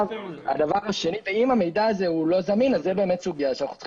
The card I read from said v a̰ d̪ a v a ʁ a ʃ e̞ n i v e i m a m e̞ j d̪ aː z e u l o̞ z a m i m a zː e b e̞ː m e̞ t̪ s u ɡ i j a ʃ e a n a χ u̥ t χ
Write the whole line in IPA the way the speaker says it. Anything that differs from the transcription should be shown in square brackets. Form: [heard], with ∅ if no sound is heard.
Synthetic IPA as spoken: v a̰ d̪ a v a ʁ a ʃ e̞ n i v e i m a m e̞ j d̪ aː z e u l o̞ z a m i [n] a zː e b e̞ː m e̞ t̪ s u ɡ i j a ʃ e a n a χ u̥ [t͡s] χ

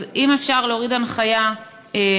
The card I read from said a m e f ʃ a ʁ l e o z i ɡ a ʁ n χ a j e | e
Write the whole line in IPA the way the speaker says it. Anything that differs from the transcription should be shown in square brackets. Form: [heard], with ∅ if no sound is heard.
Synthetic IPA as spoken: [i] m e f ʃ a ʁ l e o [ʁ] i [d] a [∅] n χ a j [a] | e

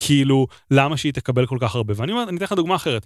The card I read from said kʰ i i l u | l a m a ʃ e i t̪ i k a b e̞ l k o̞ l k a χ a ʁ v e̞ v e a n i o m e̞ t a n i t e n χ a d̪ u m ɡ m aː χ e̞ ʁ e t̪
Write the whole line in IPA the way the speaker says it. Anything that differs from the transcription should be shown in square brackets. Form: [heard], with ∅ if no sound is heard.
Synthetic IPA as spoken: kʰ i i l u | l a m a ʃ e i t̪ [e] k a b e̞ l k o̞ l k a χ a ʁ [b] e̞ v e a n i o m e̞ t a n i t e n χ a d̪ u [∅] ɡ m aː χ e̞ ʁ e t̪

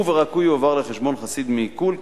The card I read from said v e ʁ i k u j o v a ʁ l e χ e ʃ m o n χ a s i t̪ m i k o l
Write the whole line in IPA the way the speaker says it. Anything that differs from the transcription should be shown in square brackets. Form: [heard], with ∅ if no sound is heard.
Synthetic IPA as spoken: v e ʁ [a] k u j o v a ʁ l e χ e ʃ [b] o n χ a s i [d̪] m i k [u] l

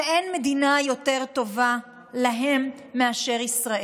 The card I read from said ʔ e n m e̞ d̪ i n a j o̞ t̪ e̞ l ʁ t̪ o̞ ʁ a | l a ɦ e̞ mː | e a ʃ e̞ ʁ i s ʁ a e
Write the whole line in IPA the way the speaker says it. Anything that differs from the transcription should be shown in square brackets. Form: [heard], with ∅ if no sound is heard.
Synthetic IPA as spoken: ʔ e n m e̞ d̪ i n a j o̞ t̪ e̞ [∅] ʁ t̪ o̞ [v] a | l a ɦ e̞ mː | e a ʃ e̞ ʁ i s ʁ a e

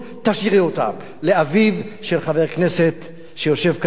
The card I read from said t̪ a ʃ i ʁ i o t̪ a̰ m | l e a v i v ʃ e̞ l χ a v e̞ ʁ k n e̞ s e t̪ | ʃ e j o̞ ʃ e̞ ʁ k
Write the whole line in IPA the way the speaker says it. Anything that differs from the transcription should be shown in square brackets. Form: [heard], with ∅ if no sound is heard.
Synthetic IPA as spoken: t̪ a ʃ i ʁ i o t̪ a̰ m | l e a v i v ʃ e̞ l χ a v e̞ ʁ k n e̞ s e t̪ | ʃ e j o̞ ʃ e̞ [v] k

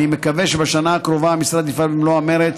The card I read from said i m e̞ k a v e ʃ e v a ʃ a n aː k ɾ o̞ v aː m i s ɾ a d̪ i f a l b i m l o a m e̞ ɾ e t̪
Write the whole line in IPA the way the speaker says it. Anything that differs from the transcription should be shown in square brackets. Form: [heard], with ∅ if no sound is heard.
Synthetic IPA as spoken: i m e̞ k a v e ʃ e [b] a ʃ a n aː k ɾ o̞ v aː m i s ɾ a d̪ i f a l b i m l o a m e̞ ɾ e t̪

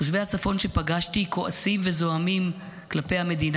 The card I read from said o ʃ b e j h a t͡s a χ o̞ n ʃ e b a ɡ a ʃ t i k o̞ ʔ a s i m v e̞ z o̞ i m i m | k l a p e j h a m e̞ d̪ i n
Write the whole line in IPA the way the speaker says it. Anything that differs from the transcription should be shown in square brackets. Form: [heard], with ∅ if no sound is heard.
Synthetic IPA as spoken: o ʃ [v] e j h a t͡s a [f] o̞ n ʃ e [p] a ɡ a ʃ t i k o̞ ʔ a s i m v e̞ z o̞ [a] m i m | k l a p e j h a m e̞ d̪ i n

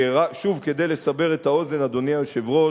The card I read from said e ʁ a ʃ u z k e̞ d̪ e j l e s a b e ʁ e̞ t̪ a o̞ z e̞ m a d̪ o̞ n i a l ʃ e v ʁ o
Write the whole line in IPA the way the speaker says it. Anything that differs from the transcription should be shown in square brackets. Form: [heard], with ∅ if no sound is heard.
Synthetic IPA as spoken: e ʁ a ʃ u [v] k e̞ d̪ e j l e s a b e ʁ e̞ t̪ a o̞ z e̞ [n] a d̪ o̞ n i a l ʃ e v ʁ o

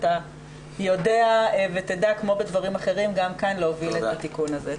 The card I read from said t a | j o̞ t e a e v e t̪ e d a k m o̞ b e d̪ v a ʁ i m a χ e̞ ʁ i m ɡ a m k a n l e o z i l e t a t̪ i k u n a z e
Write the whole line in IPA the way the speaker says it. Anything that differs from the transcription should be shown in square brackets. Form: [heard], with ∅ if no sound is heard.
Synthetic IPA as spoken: t a | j o̞ [d] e a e v e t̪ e d a k m o̞ b e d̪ v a ʁ i m a χ e̞ ʁ i m ɡ a m k a n l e o [v] i l e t a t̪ i k u n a z e

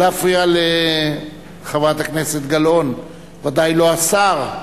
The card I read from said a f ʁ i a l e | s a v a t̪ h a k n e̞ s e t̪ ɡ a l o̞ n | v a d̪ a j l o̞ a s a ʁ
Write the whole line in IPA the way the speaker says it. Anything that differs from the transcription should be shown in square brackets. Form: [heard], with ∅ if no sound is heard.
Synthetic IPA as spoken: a f ʁ i a l e | [χ] a v a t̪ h a k n e̞ s e t̪ ɡ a l o̞ n | v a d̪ a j l o̞ a s a ʁ

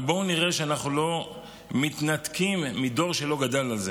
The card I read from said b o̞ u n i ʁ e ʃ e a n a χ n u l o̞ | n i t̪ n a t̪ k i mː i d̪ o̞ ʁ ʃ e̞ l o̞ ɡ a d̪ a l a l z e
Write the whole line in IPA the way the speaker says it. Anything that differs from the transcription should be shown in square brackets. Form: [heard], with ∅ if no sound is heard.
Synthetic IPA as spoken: b o̞ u n i ʁ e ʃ e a n a χ n u l o̞ | [m] i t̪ n a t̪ k i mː i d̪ o̞ ʁ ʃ e̞ l o̞ ɡ a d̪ a l a l z e

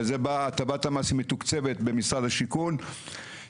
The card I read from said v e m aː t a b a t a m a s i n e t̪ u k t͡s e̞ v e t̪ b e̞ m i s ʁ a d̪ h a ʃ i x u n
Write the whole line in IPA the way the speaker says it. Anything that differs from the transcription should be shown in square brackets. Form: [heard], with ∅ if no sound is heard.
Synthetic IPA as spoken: [z] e [b] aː t a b a t a m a s i [m] e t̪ u k t͡s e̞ v e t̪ b e̞ m i s ʁ a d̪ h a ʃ i [k] u n

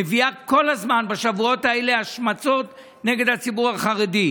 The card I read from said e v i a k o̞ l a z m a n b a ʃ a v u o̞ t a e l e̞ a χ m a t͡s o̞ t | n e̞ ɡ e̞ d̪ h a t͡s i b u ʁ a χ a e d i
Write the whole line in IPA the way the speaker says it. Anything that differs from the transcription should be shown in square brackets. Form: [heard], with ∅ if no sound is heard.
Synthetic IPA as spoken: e v i a k o̞ l a z m a n b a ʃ a v u o̞ t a e l e̞ a [ʃ] m a t͡s o̞ t | n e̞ ɡ e̞ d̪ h a t͡s i b u ʁ a χ a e d i

